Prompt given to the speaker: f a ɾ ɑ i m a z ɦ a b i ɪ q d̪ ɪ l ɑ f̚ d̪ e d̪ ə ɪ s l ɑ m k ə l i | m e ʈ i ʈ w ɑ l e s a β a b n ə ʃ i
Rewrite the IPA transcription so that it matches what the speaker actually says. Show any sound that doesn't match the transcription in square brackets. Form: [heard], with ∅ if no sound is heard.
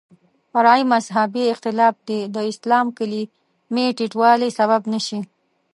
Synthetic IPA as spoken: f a ɾ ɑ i m a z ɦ a b i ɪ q [t̪] ɪ l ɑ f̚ d̪ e d̪ ə ɪ s l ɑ m k ə l i | m e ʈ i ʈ w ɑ l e s a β a b n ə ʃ i